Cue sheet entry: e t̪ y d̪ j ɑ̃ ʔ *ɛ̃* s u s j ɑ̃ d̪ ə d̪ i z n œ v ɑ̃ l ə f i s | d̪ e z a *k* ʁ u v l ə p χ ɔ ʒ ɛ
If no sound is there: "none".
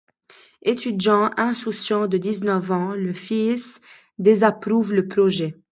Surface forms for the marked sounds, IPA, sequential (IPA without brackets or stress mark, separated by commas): ɛ̃, p